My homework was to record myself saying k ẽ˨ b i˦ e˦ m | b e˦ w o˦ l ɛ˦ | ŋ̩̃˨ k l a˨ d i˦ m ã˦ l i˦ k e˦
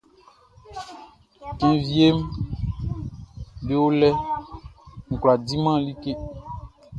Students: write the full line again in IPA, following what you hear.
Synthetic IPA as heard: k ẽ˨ v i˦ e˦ m | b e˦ w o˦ l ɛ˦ | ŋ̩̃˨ k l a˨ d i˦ m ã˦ l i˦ k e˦

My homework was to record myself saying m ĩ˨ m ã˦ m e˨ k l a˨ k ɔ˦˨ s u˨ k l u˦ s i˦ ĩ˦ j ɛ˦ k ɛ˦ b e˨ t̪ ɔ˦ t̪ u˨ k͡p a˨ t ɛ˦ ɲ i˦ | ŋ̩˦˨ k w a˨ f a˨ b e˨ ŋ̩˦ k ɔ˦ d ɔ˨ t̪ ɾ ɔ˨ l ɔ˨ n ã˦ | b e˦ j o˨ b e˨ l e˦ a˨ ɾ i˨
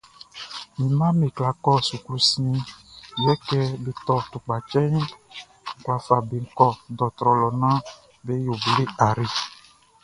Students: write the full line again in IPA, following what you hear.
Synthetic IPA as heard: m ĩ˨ m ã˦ m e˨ k l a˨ k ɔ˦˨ s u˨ k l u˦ s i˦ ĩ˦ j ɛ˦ k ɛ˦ b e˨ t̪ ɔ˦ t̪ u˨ k͡p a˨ t͡ʃ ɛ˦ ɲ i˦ | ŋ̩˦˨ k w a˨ f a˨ b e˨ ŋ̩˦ k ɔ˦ d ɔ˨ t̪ ɾ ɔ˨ l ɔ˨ n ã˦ | b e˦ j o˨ b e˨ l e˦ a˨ ɾ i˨

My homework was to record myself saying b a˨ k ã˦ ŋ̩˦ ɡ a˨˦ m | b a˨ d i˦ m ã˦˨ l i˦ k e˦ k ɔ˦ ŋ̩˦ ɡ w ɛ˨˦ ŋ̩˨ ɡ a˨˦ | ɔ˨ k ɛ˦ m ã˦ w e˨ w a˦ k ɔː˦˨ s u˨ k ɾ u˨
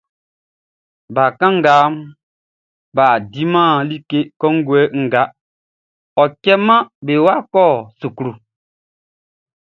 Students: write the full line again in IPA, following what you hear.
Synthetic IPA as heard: b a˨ k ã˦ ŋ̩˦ ɡ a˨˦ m | b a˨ d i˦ m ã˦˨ l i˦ k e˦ k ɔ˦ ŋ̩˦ ɡ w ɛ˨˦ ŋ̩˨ ɡ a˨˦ | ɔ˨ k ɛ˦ m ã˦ b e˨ w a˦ k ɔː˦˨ s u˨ k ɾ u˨

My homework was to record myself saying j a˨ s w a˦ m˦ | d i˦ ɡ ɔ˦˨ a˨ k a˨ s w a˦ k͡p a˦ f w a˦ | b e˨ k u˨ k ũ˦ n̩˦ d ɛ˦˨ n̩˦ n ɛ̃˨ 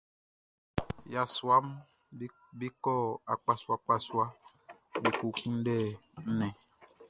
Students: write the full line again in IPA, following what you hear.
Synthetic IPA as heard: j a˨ s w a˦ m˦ | b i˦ k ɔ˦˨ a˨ k͡p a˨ s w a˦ k͡p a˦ s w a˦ | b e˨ k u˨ k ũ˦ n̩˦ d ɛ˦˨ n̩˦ n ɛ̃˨

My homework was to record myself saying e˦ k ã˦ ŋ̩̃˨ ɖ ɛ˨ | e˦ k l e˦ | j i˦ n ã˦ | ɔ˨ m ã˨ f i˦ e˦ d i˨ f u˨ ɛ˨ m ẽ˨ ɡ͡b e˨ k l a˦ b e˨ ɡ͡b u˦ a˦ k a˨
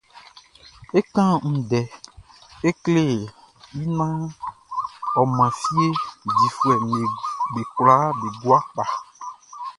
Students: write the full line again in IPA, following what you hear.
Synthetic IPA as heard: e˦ k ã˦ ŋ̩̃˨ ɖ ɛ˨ | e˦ k l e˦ | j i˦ n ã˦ | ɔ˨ m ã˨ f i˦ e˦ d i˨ f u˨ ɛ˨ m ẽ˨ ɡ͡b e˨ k l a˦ b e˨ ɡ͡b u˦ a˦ k͡p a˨

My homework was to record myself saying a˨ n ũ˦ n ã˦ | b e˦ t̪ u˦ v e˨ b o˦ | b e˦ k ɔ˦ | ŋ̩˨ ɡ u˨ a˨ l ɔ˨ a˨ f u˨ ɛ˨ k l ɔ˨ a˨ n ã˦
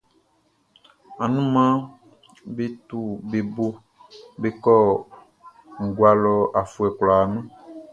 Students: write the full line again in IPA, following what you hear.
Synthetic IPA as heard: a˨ n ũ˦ m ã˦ | b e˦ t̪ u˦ b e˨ b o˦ | b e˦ k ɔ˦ | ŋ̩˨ ɡ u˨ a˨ l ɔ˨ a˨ f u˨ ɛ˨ k l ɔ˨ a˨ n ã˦

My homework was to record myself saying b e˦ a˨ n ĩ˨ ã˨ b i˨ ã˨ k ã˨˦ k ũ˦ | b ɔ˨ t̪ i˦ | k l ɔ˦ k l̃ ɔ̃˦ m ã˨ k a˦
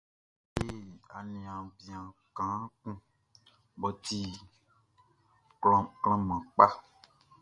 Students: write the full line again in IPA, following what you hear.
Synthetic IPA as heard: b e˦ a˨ n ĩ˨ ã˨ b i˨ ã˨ k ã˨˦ k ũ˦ | b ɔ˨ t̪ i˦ | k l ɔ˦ k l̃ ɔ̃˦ m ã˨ k͡p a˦

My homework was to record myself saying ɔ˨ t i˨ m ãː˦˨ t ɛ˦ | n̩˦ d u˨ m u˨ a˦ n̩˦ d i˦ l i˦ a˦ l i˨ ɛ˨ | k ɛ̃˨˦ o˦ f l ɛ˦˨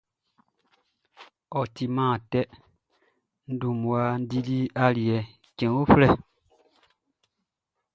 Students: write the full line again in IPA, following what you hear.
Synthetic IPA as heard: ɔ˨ t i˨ m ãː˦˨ t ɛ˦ | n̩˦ d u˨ m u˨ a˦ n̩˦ d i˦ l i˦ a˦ l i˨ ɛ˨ | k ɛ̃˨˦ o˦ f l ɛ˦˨

